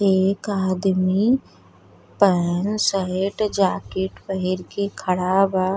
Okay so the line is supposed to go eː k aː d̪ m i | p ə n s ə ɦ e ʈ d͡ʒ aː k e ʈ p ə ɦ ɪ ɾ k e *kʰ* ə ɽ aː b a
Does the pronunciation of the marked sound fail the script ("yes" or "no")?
no